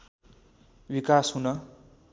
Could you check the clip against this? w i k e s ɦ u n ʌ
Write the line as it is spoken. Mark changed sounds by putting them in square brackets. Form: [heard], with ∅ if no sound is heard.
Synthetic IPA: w i k [a] s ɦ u n ʌ